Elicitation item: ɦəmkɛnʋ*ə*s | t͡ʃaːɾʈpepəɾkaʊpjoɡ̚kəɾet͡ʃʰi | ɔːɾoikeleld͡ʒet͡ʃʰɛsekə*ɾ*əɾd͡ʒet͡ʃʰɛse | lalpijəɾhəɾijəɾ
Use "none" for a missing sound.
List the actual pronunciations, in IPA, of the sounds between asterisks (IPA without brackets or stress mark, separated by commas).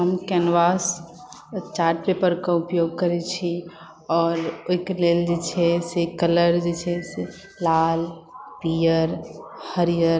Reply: a, l